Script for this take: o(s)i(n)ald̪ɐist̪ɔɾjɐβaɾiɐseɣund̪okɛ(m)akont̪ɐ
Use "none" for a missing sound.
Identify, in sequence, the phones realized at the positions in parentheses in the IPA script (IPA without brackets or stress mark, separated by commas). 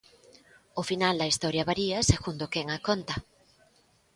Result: f, n, ŋ